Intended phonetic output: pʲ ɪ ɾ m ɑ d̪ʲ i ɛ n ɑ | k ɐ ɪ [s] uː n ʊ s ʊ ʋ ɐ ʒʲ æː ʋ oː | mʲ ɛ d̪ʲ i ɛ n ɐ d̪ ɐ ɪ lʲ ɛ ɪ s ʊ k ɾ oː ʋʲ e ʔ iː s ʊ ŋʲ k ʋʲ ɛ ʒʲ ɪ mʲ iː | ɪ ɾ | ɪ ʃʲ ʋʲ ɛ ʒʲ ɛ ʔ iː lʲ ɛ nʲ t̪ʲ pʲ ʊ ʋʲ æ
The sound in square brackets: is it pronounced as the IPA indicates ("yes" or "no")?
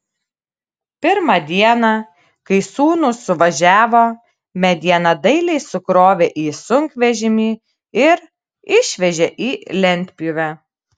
yes